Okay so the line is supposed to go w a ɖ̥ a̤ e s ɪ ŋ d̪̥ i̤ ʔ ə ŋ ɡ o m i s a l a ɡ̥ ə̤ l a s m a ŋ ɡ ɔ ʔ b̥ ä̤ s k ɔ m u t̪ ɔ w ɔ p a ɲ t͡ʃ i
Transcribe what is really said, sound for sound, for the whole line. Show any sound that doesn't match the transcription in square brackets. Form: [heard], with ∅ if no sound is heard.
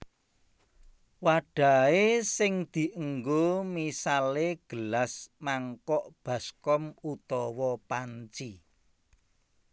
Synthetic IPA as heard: w a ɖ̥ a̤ e s ɪ ŋ d̪̥ i̤ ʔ ə ŋ ɡ o m i s a l [e] ɡ̥ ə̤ l a s m a ŋ [k] ɔ ʔ b̥ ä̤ s k ɔ m u t̪ ɔ w ɔ p a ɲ t͡ʃ i